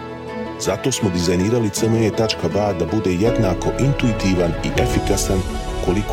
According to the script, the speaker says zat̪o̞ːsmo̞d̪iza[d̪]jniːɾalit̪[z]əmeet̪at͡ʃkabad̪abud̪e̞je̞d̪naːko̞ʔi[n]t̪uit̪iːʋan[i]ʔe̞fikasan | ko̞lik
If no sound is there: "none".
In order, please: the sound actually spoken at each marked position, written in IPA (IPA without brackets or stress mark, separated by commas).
none, s, n, i